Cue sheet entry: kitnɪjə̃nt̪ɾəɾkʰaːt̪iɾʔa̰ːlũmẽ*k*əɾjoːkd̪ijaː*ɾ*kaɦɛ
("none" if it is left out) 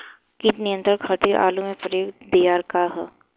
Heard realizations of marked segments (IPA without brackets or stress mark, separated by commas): p, ɾ